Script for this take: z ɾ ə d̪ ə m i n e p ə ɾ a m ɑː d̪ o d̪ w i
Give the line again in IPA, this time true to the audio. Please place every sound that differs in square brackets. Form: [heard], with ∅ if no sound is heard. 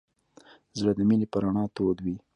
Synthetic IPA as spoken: z [ɽ] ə d̪ ə m i n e p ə ɾ a [ɳ] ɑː [t̪] o d̪ w i